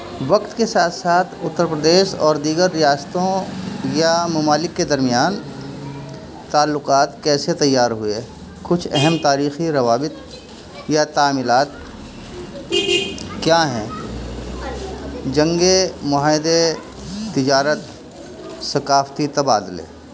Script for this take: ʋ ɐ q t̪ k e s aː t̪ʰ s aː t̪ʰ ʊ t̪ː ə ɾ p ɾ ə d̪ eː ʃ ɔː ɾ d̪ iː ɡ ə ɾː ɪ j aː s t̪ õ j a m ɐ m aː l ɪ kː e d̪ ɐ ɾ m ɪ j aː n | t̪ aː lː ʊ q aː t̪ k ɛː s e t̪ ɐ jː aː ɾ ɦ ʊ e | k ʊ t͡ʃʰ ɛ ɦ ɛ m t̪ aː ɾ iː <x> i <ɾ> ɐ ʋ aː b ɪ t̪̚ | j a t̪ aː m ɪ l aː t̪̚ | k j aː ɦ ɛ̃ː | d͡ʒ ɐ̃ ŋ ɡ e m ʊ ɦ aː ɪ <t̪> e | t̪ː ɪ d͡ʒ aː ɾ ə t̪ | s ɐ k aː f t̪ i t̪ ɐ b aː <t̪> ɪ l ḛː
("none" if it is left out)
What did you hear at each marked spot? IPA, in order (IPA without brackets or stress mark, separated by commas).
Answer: x, ɾ, d̪, d̪